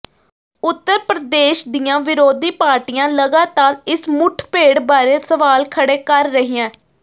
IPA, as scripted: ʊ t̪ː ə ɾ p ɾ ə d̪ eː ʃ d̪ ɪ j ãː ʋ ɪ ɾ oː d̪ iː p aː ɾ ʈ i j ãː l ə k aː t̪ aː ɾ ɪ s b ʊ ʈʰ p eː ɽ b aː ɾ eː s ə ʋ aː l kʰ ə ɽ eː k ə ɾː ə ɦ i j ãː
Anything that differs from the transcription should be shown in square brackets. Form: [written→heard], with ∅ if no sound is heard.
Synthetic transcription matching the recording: ʊ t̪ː ə ɾ p ɾ ə d̪ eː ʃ d̪ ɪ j ãː ʋ ɪ ɾ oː d̪ iː p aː ɾ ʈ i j ãː l ə [k→ɡ] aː t̪ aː ɾ ɪ s [b→m] ʊ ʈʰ p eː ɽ b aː ɾ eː s ə ʋ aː l kʰ ə ɽ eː k ə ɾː ə ɦ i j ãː